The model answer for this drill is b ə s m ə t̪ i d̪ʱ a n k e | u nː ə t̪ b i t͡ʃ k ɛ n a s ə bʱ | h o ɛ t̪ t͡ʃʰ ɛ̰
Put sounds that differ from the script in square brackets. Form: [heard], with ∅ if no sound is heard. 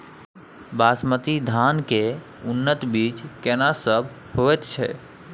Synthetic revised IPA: b [a] s m ə t̪ i d̪ʱ a n k e | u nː ə t̪ b i t͡ʃ k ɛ n a s ə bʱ | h o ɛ t̪ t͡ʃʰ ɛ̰

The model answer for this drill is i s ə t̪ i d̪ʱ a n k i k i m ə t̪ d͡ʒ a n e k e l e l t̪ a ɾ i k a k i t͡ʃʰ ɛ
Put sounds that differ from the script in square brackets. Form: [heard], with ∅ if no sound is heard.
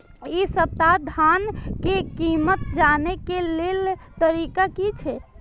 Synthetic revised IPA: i s ə t̪ [a] d̪ʱ a n k [e] k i m ə t̪ d͡ʒ a n e k e l e l t̪ [ə] ɾ i k a k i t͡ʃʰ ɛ

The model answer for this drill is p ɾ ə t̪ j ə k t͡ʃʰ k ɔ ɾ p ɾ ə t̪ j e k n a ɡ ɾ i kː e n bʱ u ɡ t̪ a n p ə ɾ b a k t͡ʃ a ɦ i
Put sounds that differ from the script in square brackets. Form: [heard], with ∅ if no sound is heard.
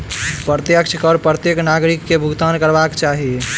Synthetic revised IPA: p ɾ ə t̪ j ə k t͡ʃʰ k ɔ ɾ p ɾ ə t̪ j e k n a ɡ ɾ i kː e [∅] bʱ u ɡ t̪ a n [k] ə ɾ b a k t͡ʃ a ɦ i

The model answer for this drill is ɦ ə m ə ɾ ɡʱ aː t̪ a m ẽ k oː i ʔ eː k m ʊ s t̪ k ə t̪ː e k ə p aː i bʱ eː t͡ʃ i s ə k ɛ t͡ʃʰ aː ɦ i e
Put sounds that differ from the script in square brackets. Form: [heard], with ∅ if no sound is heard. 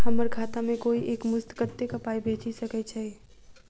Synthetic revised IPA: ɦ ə m ə ɾ ɡʱ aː t̪ a m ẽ k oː i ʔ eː k m ʊ s t̪ k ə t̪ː e k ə p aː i bʱ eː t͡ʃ i s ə k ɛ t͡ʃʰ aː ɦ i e

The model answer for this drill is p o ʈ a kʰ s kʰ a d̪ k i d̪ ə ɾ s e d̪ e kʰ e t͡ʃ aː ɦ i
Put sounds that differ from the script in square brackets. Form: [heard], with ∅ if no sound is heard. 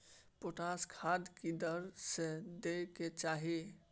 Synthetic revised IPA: p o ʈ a [∅] s kʰ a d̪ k i d̪ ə ɾ s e d̪ e [k] e t͡ʃ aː ɦ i

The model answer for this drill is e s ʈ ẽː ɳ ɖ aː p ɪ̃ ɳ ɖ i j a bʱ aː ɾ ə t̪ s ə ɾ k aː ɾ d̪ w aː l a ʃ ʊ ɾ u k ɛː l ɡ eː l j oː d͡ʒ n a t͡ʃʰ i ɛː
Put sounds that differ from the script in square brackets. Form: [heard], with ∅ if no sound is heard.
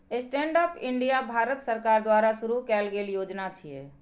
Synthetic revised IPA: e s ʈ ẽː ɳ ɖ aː p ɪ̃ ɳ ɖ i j a bʱ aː ɾ ə t̪ s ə ɾ k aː ɾ d̪ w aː [ɾ] a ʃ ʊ ɾ u k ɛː l ɡ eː l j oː d͡ʒ n a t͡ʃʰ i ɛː

